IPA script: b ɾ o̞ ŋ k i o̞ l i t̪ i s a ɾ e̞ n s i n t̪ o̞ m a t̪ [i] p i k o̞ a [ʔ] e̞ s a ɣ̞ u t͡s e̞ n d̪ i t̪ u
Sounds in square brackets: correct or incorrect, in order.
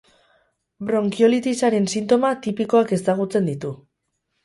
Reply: correct, incorrect: k

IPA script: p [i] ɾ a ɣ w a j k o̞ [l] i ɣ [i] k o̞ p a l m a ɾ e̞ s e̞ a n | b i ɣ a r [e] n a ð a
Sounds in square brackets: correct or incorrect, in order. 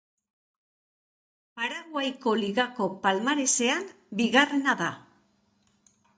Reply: incorrect: a, correct, incorrect: a, correct

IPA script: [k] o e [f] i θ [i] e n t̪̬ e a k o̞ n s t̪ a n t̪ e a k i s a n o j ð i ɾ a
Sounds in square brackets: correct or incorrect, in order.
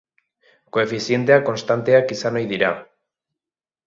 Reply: correct, correct, incorrect: j

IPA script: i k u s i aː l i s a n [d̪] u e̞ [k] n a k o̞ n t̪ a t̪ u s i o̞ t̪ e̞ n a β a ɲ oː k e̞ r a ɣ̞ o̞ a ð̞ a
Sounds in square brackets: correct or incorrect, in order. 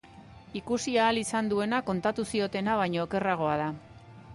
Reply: correct, incorrect: none

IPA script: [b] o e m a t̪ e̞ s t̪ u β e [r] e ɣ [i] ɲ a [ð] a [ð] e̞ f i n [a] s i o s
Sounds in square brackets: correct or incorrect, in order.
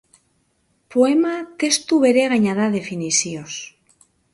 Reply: incorrect: p, incorrect: ɾ, incorrect: a, correct, correct, incorrect: i

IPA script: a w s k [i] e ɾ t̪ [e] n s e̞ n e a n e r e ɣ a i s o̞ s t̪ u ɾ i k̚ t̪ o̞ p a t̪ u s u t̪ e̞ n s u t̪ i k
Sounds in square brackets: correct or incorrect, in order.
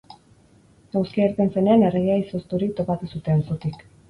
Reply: correct, correct

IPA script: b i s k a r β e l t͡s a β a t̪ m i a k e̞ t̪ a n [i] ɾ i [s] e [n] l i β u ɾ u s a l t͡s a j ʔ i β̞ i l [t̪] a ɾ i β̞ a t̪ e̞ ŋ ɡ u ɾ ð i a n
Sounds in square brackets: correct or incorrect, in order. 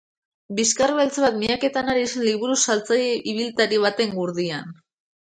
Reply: incorrect: a, correct, correct, correct

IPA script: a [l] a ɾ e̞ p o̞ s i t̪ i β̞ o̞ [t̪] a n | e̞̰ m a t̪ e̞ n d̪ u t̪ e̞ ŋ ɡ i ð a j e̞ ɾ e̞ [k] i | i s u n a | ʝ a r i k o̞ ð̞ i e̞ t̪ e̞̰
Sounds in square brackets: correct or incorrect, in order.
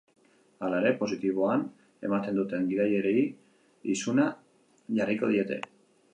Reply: correct, incorrect: none, incorrect: none

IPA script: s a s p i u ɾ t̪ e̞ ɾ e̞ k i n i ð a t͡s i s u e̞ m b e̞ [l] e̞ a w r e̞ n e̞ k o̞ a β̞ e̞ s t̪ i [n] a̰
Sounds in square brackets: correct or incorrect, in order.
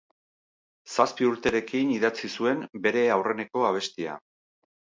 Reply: incorrect: ɾ, incorrect: none

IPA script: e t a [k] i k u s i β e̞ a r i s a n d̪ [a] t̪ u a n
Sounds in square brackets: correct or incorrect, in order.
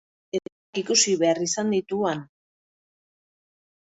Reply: correct, incorrect: i

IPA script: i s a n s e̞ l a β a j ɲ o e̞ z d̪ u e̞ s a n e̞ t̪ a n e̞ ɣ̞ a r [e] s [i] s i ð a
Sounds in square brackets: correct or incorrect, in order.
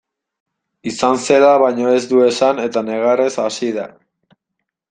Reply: correct, incorrect: a

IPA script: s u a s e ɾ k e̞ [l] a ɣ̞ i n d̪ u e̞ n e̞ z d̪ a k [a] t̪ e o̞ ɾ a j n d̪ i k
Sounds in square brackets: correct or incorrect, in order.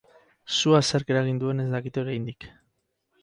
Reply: incorrect: ɾ, incorrect: i

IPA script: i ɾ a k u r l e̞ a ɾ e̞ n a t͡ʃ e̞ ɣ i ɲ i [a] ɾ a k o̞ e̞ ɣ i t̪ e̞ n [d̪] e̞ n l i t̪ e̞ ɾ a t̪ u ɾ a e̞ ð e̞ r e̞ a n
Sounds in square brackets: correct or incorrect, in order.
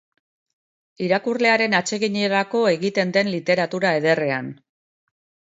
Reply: incorrect: e, correct

